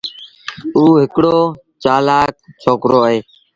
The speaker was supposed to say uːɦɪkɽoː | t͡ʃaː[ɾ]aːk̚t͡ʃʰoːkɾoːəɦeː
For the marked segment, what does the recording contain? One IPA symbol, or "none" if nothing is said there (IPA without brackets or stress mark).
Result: l